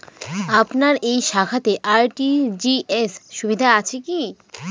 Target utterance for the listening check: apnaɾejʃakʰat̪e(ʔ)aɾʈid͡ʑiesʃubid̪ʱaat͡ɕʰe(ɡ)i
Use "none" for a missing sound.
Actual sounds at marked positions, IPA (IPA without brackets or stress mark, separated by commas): ʔ, k